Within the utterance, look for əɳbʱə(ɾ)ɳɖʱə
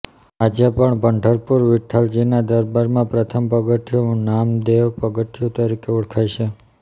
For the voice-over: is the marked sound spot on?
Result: no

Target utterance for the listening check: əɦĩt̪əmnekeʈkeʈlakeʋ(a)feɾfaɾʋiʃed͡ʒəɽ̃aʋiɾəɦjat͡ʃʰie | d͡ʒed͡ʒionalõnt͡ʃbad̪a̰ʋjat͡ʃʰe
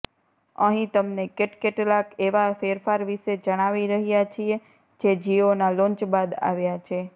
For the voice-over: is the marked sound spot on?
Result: yes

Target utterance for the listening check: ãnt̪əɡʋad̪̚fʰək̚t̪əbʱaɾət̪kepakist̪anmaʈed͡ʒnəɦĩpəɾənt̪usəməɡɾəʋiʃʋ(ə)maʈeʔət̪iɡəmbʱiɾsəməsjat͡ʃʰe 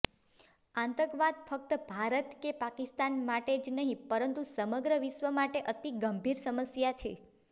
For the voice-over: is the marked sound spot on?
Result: yes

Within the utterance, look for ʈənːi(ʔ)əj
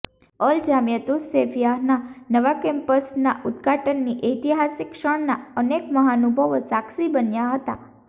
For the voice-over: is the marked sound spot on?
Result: yes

